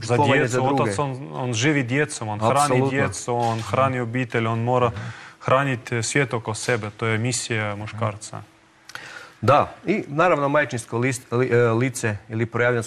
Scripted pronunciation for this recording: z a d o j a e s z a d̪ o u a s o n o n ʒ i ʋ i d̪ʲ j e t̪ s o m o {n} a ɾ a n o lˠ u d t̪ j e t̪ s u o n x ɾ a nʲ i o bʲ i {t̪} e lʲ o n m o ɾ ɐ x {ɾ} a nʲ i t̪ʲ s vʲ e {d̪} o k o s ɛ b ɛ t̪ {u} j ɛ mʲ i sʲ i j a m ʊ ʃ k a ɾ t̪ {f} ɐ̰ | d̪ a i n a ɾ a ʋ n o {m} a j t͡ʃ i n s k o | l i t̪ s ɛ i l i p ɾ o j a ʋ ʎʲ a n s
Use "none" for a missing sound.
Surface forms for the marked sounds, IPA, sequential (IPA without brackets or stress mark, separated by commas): n, t̪, ɾ, t̪, o, s, m